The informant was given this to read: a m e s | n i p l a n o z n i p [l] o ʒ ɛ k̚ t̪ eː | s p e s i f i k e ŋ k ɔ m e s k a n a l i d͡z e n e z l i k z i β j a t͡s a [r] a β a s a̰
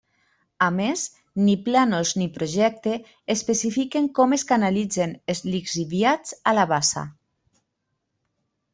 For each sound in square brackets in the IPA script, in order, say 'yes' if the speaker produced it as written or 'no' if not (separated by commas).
no, no